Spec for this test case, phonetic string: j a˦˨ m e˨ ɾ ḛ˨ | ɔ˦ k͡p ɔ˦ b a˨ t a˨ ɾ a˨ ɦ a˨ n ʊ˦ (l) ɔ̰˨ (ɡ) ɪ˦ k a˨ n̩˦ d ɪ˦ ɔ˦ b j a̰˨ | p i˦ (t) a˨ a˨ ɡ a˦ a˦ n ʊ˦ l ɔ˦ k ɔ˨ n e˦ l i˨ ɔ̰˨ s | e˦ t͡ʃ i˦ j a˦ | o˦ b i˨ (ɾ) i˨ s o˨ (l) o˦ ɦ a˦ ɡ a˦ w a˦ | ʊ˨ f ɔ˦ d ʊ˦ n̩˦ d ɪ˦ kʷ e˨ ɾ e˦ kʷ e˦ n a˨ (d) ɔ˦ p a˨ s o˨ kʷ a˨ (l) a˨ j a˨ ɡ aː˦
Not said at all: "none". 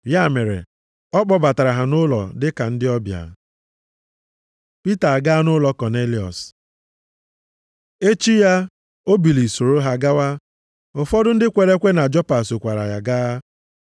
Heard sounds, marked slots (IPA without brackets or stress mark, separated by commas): l, d, t, l, ɾ, d͡ʒ, ɾ